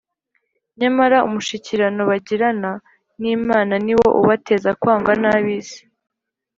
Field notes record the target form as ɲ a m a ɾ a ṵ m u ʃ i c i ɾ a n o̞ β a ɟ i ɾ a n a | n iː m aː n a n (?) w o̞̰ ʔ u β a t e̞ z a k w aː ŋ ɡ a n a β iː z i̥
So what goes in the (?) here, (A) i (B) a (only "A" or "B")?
A